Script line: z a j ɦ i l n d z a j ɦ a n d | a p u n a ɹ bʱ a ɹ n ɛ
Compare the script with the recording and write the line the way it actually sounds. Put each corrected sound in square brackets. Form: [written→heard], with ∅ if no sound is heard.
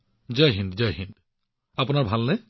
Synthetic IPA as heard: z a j ɦ i [l→∅] n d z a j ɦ [a→i] n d | a p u n a ɹ bʱ a [ɹ→l] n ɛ